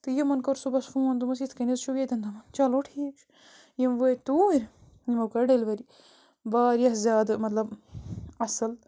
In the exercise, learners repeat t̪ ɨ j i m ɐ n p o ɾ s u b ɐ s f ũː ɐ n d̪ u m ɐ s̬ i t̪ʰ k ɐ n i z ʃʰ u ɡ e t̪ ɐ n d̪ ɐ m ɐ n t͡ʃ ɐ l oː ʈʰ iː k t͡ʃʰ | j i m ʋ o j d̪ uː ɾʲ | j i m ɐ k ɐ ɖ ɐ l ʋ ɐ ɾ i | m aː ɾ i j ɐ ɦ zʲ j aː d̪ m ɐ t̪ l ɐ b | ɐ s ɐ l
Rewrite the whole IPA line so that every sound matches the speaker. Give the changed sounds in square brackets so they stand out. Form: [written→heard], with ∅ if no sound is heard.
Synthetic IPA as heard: t̪ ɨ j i m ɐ n [p→k] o ɾ s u b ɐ s f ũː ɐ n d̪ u m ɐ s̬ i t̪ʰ k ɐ n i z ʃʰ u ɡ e t̪ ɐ n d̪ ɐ m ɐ n t͡ʃ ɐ l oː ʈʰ iː k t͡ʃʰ | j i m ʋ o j [d̪→t̪] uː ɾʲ | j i m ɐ k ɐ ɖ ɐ l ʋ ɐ ɾ i | [m→b] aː ɾ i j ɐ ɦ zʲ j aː d̪ m ɐ t̪ l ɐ b | ɐ s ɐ l